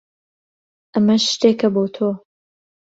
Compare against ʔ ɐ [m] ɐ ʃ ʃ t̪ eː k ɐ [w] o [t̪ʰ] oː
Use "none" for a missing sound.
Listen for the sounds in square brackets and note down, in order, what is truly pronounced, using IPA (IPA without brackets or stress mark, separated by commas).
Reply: m, b, t̪ʰ